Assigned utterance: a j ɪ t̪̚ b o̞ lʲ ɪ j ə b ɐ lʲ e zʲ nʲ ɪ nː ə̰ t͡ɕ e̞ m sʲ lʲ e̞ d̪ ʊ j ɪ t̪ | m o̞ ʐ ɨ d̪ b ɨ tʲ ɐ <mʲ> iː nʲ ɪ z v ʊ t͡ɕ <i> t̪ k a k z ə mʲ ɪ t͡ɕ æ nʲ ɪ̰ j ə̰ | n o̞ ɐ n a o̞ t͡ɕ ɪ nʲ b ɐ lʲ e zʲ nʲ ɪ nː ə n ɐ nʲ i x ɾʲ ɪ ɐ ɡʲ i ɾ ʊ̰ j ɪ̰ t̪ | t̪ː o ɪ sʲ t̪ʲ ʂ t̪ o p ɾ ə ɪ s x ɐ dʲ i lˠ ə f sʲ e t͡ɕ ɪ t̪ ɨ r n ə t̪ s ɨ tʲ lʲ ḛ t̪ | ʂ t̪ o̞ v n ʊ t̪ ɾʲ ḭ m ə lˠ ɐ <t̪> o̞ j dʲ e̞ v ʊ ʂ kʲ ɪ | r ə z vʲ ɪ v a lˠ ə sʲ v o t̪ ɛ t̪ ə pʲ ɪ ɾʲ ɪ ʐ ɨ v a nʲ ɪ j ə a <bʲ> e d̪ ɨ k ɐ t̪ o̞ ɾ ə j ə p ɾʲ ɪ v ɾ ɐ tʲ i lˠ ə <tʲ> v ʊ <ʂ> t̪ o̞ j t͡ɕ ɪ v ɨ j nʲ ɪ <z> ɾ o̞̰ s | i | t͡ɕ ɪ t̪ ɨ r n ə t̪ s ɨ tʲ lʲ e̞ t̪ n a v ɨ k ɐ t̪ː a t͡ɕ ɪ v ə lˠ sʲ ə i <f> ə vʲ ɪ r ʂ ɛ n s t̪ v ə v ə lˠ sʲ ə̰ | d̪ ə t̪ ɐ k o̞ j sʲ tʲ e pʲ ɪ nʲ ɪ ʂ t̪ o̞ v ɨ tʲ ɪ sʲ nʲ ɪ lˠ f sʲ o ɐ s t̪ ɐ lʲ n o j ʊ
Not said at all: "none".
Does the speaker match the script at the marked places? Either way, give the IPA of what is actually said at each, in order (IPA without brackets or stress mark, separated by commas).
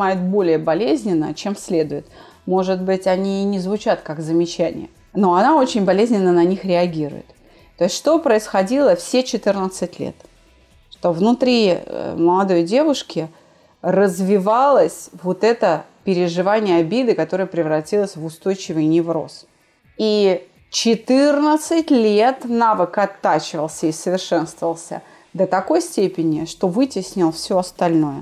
nʲ, a, d̪, bʲ, sʲ, s, v, s